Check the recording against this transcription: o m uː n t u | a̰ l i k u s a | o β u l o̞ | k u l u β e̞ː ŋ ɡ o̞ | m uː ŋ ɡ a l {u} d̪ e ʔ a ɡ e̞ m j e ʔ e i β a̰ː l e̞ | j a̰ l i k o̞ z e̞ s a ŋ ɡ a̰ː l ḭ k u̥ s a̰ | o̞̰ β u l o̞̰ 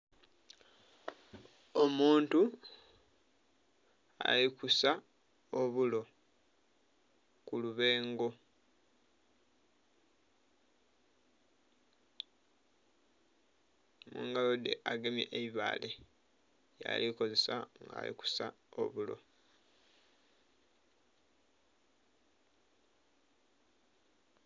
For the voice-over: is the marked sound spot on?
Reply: no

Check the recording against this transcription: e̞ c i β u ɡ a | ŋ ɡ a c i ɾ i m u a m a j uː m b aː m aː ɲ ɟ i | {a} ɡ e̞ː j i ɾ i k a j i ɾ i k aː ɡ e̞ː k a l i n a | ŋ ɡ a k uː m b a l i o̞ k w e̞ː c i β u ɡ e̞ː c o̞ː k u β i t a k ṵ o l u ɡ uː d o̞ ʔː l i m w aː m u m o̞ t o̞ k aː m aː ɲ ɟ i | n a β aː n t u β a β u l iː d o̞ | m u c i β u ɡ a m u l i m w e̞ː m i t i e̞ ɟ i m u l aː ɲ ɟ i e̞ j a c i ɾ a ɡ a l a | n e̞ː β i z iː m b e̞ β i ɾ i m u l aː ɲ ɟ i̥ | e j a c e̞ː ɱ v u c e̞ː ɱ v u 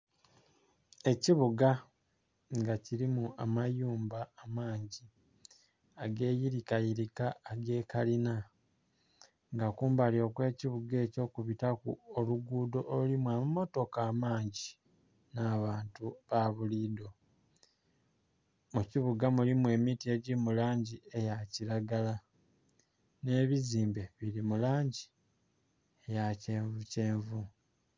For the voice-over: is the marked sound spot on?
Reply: yes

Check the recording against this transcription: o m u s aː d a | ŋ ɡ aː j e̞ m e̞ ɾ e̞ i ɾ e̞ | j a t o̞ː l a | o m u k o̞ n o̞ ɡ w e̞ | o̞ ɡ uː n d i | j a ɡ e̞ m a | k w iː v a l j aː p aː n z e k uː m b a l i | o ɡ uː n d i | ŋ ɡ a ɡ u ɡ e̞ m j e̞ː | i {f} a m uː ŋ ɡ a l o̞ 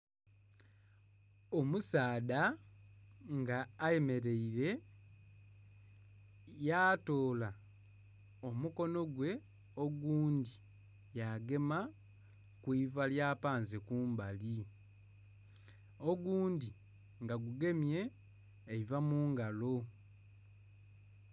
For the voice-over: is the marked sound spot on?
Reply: no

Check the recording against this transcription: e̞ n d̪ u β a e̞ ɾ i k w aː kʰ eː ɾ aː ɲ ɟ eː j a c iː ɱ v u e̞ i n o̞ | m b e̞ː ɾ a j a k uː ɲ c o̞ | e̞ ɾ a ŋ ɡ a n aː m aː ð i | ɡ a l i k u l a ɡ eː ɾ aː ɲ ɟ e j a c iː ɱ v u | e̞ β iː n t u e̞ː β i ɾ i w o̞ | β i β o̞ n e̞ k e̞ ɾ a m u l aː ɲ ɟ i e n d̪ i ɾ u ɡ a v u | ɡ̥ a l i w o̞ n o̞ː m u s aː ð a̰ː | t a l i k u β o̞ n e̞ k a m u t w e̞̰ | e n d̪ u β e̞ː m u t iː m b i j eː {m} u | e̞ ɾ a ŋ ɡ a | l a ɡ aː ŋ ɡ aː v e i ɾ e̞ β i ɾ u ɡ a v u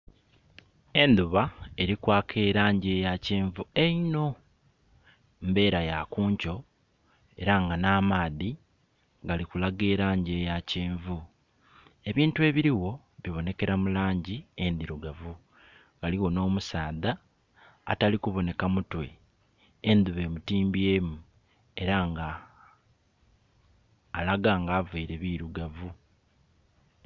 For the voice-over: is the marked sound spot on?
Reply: yes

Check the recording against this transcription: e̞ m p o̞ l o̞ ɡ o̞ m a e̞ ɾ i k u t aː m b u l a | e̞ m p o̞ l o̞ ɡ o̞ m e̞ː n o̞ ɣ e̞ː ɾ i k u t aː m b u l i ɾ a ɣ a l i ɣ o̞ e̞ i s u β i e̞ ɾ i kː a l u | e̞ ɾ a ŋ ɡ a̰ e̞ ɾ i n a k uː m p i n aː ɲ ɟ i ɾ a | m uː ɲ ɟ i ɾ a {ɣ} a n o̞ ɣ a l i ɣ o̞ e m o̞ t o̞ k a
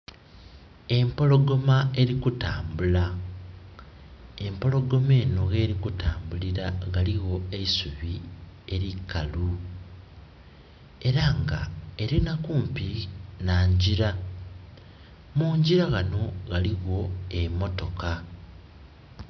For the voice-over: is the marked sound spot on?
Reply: yes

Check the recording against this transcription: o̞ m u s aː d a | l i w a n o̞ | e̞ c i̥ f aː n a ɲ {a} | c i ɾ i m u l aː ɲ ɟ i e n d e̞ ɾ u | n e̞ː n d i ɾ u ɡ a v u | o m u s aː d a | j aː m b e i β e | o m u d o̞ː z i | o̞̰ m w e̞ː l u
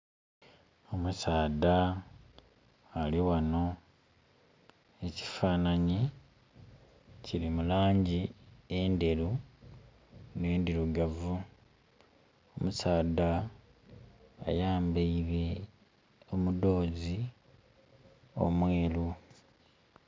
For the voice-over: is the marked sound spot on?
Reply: no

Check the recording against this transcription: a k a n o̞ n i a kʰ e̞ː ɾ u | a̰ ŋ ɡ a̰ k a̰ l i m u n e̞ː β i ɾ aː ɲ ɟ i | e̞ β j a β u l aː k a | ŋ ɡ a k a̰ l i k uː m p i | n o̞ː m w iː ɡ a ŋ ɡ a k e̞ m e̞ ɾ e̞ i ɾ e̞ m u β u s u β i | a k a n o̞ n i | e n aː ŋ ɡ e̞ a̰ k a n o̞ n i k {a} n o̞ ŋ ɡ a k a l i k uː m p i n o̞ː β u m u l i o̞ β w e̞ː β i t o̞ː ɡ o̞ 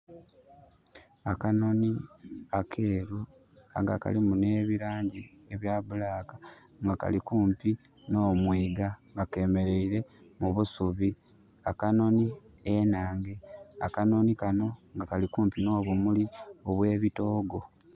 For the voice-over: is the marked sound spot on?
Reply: yes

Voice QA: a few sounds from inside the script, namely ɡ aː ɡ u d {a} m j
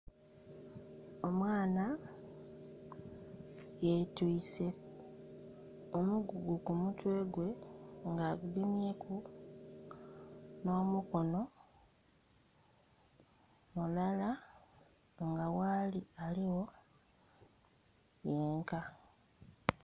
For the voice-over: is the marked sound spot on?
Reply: no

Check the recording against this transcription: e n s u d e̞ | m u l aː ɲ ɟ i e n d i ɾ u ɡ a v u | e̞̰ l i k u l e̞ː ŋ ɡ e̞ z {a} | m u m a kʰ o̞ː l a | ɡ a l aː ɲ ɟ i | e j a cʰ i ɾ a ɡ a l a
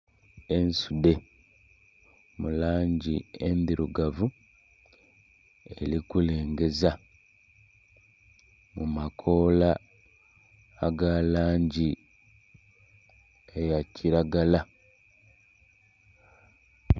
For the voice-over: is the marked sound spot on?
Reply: yes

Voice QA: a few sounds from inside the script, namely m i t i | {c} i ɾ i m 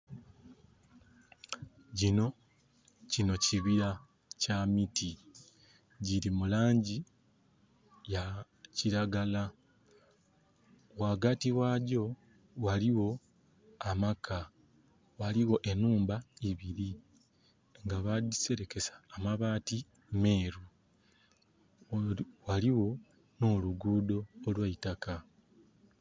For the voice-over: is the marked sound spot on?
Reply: no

